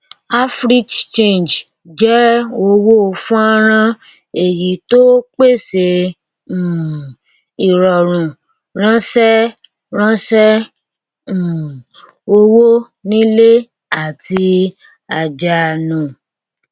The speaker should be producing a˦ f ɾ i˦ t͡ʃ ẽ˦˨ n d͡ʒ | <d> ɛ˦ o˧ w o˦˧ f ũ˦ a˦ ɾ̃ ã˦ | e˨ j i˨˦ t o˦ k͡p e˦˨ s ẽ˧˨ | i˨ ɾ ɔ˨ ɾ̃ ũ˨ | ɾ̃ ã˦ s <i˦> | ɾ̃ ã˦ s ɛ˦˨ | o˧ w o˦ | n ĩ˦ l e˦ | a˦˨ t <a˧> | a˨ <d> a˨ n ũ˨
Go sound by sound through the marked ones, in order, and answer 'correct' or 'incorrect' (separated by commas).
incorrect, incorrect, incorrect, incorrect